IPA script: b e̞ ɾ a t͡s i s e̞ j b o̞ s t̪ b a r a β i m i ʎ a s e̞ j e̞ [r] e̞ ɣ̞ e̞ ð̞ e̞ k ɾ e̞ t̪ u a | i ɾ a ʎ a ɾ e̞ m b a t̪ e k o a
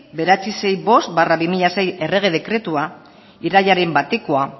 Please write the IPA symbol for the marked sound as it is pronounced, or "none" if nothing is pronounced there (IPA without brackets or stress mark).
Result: r